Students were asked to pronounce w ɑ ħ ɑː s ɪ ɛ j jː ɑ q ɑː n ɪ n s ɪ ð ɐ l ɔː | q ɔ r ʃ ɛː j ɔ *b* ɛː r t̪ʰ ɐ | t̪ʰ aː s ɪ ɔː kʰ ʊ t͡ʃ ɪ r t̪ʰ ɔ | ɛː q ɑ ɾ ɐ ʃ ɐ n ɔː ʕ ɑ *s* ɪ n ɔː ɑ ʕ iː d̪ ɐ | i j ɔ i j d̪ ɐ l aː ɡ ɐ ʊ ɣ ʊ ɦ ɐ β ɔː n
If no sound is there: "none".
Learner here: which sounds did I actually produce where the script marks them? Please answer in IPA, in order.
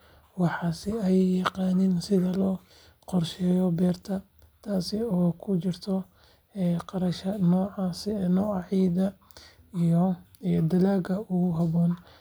b, s

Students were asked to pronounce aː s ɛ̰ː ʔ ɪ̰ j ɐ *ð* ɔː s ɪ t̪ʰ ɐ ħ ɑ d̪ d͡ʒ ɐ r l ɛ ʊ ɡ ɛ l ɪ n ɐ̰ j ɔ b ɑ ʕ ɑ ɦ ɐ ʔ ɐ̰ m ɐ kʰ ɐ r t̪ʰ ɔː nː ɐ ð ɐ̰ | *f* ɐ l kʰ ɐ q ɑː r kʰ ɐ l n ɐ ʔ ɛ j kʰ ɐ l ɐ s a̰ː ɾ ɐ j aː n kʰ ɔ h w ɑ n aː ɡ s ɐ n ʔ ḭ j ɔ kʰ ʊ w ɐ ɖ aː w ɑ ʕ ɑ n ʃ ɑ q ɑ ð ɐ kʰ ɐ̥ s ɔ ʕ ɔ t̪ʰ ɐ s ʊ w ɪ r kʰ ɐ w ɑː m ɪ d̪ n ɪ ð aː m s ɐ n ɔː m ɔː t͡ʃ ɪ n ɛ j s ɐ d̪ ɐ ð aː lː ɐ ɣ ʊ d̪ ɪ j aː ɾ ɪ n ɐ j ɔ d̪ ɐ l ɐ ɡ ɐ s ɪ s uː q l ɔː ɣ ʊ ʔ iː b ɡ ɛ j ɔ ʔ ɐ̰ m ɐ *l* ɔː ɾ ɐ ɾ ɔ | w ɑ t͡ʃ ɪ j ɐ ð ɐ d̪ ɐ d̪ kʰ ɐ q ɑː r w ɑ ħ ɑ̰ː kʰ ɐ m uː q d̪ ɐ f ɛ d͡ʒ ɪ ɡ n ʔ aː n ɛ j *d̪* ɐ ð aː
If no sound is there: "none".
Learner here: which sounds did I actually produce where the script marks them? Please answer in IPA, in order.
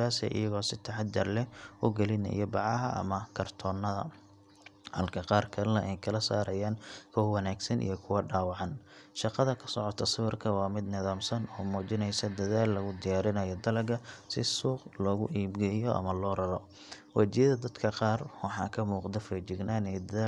ɣ, h, l, d̪

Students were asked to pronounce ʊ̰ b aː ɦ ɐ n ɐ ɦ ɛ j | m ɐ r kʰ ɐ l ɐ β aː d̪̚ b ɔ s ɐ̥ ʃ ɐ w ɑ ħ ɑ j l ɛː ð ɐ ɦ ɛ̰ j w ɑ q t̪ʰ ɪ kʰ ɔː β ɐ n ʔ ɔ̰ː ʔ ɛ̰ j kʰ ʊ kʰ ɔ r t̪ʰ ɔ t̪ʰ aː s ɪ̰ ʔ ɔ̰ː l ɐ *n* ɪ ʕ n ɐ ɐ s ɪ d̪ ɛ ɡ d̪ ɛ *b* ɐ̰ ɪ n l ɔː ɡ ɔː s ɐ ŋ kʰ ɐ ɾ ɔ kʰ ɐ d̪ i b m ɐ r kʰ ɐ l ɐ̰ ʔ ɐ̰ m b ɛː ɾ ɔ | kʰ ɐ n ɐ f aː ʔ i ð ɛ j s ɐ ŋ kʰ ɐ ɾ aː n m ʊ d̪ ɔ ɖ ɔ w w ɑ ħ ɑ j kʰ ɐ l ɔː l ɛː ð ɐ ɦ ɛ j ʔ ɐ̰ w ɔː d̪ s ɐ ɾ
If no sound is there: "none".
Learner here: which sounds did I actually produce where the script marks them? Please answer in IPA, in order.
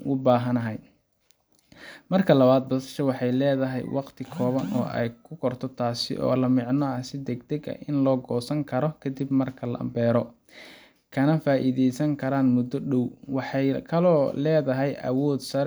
m, ɡ

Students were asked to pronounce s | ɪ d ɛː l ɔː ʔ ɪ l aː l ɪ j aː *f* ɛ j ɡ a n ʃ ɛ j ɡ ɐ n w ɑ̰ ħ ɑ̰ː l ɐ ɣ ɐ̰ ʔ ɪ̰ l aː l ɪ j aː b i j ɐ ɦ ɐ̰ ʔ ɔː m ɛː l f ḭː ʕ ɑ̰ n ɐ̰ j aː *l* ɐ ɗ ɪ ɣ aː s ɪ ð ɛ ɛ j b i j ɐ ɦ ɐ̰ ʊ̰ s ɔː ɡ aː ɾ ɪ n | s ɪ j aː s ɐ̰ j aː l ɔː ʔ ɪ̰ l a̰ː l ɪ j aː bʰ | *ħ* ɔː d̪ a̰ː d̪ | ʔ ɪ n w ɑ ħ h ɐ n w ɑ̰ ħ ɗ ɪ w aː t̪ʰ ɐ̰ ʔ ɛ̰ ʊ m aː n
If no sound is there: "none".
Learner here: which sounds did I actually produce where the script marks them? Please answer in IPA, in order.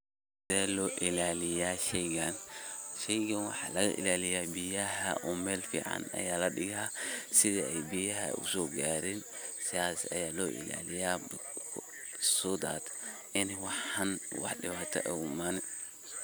ʃ, l, s

